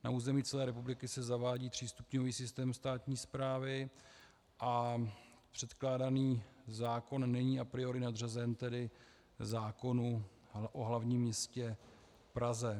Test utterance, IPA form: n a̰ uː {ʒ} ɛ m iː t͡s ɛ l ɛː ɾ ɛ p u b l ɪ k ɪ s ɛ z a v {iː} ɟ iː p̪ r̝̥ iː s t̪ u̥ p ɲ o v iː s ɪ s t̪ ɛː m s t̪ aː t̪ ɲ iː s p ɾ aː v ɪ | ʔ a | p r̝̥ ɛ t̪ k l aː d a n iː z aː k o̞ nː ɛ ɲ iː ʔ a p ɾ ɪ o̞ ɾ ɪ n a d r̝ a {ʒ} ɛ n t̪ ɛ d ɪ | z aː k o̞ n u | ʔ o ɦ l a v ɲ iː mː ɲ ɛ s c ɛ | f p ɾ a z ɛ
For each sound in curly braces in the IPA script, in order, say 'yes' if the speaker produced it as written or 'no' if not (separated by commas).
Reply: no, no, no